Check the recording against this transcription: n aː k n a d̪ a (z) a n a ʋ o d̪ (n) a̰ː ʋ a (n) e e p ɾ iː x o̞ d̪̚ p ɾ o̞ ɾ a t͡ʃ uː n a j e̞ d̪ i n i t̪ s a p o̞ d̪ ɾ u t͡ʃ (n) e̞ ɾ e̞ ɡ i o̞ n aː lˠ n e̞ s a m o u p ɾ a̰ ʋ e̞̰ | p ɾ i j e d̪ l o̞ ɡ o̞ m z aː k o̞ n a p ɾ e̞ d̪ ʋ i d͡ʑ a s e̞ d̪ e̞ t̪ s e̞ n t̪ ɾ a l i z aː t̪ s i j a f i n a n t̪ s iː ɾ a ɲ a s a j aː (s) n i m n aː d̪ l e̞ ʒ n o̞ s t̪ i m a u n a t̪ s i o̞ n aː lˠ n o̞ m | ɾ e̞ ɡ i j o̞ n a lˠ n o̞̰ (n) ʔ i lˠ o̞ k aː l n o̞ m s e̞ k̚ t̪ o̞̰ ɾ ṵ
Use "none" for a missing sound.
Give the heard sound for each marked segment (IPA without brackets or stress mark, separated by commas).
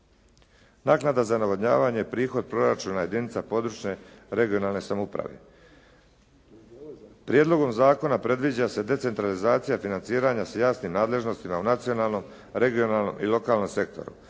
z, ɲ, ɲ, ɲ, s, m